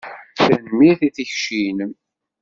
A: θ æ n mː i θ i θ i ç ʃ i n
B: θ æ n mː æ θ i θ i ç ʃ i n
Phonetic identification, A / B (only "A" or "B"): A